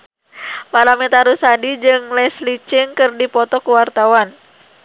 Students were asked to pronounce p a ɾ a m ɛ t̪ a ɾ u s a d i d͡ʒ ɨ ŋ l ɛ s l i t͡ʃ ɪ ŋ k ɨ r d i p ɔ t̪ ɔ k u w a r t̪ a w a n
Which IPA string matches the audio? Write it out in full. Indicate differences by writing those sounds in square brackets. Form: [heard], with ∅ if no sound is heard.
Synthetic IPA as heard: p a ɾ a m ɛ t̪ a ɾ u s a d i d͡ʒ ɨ ŋ l ɛ s l i t͡ʃ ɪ ŋ k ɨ r d i p ɔ t̪ ɔ k u w a r t̪ a w a n